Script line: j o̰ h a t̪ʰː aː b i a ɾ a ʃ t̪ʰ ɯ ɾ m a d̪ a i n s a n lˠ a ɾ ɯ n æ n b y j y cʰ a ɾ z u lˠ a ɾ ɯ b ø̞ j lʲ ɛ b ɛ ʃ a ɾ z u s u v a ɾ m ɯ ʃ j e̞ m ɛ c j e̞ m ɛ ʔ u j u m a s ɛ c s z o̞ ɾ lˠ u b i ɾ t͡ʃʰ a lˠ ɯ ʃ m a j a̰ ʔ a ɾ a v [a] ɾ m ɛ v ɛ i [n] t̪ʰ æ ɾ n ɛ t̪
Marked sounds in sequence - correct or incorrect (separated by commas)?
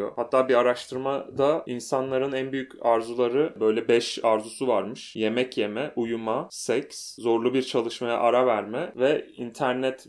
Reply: incorrect, correct